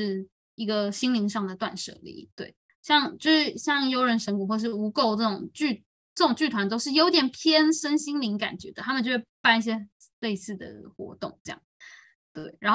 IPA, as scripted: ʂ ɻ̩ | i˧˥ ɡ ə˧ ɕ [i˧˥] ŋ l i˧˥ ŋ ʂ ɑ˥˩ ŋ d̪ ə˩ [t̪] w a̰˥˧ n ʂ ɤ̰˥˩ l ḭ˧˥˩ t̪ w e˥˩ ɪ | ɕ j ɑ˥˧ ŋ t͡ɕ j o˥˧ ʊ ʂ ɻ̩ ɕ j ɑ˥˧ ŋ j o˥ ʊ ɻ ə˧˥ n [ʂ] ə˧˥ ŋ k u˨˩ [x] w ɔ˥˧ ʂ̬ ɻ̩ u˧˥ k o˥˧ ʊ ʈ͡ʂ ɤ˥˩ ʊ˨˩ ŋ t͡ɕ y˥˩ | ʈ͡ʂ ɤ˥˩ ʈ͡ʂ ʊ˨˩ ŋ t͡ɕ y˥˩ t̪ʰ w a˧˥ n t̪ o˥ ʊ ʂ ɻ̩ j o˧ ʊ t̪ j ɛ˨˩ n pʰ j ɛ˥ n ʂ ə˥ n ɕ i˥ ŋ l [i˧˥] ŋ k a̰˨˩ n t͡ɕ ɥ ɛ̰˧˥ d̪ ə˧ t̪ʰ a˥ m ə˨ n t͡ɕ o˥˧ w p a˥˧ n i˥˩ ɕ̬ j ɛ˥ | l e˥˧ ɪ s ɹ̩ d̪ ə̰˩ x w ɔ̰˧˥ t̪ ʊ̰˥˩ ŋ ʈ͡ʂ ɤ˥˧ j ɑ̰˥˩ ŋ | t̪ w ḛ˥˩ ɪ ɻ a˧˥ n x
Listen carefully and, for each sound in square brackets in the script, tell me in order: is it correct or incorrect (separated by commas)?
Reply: incorrect, correct, correct, correct, correct